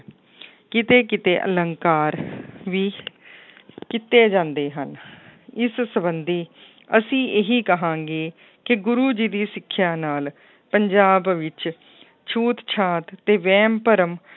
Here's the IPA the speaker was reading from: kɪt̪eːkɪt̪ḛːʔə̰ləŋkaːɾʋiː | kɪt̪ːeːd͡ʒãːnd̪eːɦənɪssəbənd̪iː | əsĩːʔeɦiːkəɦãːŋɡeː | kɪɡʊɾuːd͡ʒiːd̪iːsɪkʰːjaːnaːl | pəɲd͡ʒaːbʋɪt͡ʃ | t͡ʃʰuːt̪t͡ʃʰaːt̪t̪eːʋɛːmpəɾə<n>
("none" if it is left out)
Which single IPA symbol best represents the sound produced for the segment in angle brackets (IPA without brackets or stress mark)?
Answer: m